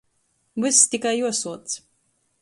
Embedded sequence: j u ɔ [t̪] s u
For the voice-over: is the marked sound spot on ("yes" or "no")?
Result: no